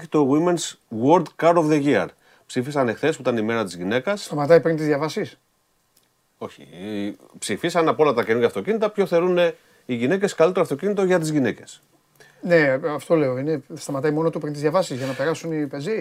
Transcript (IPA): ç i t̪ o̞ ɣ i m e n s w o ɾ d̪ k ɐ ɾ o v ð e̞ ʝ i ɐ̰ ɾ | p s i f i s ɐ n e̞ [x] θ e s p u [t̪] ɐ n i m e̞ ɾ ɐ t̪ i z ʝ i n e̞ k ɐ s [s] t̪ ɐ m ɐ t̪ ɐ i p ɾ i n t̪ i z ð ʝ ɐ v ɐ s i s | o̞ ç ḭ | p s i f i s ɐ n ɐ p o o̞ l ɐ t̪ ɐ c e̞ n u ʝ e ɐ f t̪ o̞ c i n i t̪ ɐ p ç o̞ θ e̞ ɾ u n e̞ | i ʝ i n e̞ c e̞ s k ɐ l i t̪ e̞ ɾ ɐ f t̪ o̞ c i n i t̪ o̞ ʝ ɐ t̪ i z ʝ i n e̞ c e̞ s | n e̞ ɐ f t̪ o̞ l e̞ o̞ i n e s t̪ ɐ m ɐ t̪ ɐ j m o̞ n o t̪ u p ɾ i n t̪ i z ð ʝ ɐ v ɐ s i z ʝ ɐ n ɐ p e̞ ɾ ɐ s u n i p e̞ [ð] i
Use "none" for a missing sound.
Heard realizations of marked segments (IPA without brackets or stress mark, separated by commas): x, t̪, s, z